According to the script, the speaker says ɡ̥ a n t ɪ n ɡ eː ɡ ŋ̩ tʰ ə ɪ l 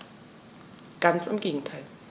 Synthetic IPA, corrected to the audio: ɡ̥ a n t͡s ɪ m ɡ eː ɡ ŋ̩ tʰ a ɪ l